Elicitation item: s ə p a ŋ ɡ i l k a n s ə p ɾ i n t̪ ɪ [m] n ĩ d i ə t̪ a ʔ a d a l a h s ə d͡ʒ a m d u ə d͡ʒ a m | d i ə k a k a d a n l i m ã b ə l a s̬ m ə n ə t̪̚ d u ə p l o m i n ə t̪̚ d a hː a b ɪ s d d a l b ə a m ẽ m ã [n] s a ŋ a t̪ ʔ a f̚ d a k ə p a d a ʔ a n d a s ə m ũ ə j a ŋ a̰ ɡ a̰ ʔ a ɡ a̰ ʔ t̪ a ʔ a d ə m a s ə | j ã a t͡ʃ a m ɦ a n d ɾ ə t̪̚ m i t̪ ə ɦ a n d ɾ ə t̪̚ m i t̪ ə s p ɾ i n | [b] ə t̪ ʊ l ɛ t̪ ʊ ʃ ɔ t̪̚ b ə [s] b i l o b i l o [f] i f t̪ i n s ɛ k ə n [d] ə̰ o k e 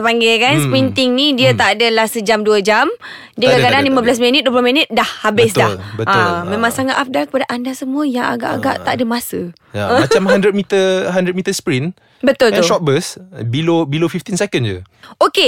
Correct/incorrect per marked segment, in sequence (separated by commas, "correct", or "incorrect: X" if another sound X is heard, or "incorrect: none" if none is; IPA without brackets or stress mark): incorrect: ŋ, incorrect: ŋ, correct, correct, correct, incorrect: d͡ʒ